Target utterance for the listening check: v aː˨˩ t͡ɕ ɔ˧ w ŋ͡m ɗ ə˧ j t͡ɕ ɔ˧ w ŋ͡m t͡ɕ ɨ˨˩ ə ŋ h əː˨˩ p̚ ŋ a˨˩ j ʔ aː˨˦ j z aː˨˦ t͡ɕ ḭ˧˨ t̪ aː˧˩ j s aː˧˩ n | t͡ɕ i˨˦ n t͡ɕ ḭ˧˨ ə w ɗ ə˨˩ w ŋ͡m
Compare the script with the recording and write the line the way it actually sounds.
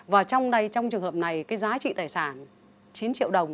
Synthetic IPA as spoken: v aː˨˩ t͡ɕ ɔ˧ w ŋ͡m ɗ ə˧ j t͡ɕ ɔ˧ w ŋ͡m t͡ɕ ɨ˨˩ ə ŋ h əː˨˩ p̚ n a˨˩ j k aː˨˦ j z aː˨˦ t͡ɕ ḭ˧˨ t̪ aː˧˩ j s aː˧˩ n | t͡ɕ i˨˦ n t͡ɕ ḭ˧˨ ə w ɗ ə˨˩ w ŋ͡m

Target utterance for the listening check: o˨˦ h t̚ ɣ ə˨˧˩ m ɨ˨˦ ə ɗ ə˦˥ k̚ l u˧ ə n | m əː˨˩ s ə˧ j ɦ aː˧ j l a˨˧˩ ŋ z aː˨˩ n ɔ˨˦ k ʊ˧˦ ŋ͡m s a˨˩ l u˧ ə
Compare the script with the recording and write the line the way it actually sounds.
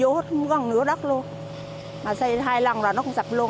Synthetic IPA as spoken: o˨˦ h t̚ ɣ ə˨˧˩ n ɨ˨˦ ə ɗ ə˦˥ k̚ l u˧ ə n | m aː˨˩ s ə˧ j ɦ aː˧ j l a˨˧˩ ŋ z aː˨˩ n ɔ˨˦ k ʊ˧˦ ŋ͡m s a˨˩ l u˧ ə

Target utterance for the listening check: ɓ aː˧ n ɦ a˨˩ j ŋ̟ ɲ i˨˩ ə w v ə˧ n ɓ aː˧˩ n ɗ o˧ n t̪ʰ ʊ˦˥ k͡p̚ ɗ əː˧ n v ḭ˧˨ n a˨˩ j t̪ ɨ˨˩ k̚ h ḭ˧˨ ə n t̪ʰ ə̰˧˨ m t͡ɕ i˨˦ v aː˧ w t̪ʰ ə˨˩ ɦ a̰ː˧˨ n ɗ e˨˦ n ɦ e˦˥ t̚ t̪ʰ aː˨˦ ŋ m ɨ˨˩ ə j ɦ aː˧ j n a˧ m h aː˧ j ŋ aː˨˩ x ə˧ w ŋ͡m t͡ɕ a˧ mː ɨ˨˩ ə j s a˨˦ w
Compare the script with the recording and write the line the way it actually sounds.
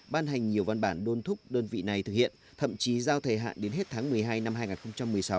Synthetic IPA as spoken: ɓ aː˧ n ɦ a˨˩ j ŋ̟ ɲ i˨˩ ə w v a˧ n ɓ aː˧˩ n ɗ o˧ n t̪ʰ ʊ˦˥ k͡p̚ ɗ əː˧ n v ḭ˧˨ n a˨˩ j t̪ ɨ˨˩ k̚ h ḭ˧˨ ə n t̪ʰ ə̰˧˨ m t͡ɕ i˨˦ z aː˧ w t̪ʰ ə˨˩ ɦ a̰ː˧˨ n ɗ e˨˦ n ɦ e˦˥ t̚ t̪ʰ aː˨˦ ŋ m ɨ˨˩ ə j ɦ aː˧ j n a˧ m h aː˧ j ŋ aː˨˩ x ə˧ w ŋ͡m t͡ɕ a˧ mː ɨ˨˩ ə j s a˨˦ w

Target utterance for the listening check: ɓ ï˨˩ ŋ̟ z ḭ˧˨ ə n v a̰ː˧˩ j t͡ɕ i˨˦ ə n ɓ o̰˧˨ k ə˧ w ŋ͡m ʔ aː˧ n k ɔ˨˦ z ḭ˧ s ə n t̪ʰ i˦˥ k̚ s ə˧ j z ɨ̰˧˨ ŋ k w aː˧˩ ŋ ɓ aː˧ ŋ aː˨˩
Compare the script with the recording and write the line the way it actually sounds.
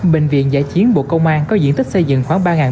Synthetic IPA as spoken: ɓ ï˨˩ ŋ̟ v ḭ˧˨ ə n z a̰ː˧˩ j t͡ɕ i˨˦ ə n ɓ o̰˧˨ k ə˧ w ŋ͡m ʔ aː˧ n k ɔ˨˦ z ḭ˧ ə n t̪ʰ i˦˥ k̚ s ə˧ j z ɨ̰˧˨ ŋ x w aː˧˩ ŋ ɓ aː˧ ŋ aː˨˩

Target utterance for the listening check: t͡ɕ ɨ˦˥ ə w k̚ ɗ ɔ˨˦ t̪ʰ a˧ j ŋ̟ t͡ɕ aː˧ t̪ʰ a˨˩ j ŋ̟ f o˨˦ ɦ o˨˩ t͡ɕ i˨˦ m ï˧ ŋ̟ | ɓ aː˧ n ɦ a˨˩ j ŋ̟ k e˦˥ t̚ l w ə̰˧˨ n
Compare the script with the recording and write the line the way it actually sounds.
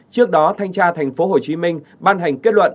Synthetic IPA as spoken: t͡ɕ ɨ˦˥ ə k̚ ɗ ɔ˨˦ t̪ʰ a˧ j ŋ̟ t͡ɕ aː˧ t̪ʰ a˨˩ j ŋ̟ f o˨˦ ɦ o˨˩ t͡ɕ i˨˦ m ï˧ ŋ̟ | ɓ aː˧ n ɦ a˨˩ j ŋ̟ k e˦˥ t̚ l w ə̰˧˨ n

